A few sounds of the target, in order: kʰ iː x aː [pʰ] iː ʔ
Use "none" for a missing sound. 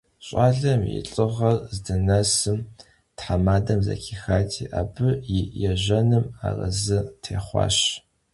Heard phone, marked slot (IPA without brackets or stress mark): tʰ